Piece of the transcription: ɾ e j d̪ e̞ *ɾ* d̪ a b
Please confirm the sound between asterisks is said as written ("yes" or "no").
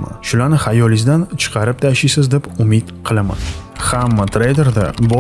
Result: yes